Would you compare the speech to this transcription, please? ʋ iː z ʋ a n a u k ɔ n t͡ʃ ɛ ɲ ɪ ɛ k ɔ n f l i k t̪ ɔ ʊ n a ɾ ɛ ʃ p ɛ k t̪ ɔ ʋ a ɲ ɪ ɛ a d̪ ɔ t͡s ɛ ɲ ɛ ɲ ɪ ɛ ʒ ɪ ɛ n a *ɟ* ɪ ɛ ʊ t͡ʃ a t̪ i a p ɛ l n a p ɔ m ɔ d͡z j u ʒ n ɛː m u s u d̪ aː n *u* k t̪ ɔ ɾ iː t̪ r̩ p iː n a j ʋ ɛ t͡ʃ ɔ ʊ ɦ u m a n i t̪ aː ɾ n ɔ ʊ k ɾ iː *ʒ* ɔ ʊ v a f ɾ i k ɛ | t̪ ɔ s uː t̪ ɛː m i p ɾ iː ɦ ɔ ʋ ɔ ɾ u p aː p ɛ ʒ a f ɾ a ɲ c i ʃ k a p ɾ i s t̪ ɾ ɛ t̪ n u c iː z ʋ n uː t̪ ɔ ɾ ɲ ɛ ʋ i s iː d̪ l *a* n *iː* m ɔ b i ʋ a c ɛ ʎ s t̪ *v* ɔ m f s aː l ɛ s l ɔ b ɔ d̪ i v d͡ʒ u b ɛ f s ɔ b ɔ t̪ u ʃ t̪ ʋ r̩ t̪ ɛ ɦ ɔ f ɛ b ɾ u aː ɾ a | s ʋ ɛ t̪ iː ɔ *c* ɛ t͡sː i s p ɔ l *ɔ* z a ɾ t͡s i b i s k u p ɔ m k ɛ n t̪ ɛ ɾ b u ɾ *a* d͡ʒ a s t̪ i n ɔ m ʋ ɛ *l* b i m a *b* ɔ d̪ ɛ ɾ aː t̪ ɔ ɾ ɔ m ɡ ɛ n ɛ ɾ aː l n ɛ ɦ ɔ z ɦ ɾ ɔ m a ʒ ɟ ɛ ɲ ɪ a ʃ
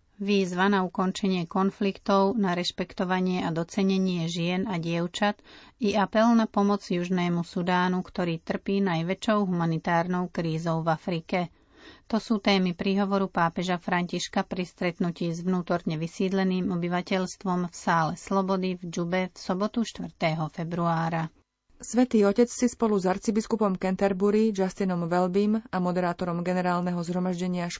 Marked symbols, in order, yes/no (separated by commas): yes, yes, no, no, yes, no, yes, no, no, yes, no